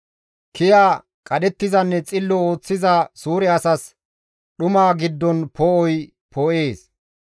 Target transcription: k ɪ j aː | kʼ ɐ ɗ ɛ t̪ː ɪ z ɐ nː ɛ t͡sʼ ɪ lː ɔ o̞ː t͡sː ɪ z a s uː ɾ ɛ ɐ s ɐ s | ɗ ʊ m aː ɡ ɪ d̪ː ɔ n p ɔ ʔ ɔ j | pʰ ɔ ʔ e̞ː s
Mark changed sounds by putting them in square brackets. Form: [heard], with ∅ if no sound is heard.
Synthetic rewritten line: k ɪ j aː | kʼ ɐ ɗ ɛ t̪ː ɪ z ɐ nː ɛ t͡sʼ ɪ lː ɔ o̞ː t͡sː ɪ z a s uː ɾ ɛ ɐ s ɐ s | ɗ ʊ m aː ɡ ɪ d̪ː ɔ n p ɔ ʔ ɔ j | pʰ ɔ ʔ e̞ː s